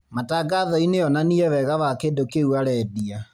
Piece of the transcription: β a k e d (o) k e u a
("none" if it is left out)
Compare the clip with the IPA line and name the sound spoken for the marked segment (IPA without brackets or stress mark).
o